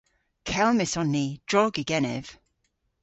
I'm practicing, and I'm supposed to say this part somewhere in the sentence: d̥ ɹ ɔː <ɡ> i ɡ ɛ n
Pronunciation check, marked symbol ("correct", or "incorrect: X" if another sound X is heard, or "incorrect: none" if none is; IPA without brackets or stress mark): correct